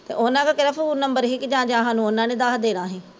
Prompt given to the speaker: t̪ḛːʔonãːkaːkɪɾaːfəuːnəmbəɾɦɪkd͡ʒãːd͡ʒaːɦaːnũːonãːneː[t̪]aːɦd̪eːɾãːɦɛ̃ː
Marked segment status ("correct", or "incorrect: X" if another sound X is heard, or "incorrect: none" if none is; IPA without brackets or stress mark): incorrect: d̪